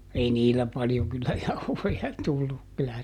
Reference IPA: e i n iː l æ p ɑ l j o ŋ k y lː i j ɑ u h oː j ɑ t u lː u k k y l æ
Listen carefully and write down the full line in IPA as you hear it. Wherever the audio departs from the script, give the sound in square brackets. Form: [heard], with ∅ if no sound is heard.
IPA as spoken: e i n iː l æ p ɑ l j o ŋ k y lː [æ] j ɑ u h [o] j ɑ t u lː u k k y l æ